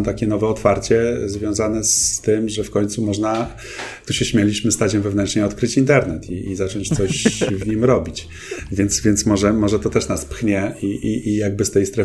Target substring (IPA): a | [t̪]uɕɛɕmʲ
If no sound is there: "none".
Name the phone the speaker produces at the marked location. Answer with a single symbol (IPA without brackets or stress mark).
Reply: t̪